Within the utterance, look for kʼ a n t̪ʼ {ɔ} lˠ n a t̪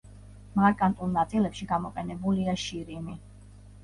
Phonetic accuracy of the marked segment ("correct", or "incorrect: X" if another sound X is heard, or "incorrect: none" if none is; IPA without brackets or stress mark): incorrect: u